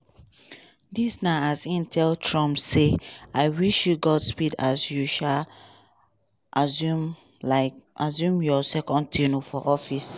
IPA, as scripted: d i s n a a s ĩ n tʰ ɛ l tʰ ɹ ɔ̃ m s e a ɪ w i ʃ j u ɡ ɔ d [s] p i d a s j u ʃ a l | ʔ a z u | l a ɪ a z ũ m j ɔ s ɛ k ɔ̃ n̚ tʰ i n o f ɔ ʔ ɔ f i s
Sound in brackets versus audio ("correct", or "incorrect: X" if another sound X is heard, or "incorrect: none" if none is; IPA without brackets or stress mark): correct